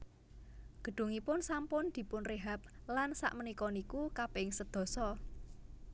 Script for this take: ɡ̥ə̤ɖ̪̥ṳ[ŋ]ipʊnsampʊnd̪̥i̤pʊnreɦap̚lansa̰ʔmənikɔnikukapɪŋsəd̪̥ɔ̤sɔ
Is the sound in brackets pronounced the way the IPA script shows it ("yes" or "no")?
yes